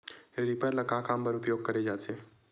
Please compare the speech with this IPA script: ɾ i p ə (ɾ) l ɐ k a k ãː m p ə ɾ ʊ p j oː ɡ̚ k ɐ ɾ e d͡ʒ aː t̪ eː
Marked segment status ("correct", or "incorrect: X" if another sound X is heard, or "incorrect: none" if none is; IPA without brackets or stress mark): correct